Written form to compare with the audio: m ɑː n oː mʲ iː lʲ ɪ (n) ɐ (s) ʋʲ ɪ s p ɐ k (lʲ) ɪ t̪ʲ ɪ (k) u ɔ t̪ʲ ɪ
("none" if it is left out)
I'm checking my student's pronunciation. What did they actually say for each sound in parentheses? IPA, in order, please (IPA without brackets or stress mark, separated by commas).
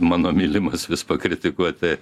m, s, ɾʲ, k